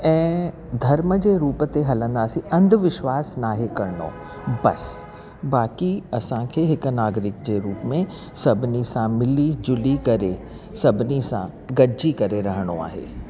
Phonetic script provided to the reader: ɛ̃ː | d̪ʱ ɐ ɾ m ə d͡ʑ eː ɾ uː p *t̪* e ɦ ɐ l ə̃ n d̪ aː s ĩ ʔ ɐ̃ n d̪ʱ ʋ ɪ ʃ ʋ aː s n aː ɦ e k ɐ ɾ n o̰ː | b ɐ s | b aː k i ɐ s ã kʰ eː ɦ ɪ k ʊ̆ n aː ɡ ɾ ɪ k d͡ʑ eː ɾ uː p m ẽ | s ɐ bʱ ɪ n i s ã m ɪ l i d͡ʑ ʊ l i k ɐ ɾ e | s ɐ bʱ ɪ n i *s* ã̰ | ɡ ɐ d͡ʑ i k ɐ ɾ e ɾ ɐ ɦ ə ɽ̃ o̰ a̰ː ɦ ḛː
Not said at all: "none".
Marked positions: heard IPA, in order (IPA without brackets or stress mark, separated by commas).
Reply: t̪, s